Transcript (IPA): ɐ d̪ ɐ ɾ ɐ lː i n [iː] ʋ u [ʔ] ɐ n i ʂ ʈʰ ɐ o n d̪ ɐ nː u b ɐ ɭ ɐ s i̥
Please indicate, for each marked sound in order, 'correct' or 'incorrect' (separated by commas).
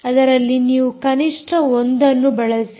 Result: correct, incorrect